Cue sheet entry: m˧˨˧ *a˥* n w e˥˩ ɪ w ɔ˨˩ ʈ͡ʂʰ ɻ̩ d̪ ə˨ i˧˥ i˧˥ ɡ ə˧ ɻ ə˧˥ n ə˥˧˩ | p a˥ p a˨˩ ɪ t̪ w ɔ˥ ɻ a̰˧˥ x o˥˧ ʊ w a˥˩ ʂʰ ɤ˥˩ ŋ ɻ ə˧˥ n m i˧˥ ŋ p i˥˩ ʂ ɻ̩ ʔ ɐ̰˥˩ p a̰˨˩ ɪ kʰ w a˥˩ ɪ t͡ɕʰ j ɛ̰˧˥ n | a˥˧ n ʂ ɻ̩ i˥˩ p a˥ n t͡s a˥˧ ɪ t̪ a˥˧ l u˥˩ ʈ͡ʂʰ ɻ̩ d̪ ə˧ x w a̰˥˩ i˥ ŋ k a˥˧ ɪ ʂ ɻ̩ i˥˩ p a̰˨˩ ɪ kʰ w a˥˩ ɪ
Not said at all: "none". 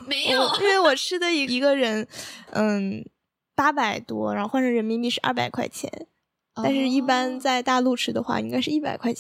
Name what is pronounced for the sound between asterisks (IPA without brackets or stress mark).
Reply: i˥